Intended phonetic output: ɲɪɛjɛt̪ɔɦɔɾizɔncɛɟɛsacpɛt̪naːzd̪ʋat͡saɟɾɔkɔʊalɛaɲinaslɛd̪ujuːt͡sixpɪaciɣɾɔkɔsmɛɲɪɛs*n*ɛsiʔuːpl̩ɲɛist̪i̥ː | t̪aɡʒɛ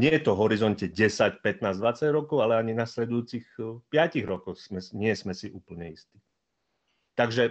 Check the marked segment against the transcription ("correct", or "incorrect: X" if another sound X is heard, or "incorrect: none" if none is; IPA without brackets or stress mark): incorrect: m